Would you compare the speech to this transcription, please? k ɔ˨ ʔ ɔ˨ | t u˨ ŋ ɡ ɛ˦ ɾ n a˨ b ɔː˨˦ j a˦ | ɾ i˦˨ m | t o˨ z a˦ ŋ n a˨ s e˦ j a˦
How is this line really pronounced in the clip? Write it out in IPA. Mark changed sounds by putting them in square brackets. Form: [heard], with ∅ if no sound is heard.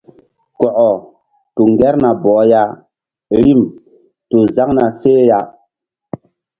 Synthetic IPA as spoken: k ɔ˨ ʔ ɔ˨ | t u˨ ŋ ɡ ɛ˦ ɾ n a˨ b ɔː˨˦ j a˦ | ɾ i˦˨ m | t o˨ z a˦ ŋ n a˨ s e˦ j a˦